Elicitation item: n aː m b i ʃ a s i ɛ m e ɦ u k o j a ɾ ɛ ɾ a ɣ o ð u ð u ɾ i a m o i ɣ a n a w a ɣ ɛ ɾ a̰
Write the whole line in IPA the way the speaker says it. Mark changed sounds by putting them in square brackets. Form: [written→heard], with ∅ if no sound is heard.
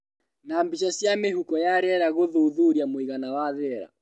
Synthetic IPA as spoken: n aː m b i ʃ a s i [ɛ→a] m e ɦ u k [o→ɔ] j a ɾ ɛ ɾ a ɣ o ð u ð u ɾ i a m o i ɣ a n a w a [ɣ→ð] ɛ ɾ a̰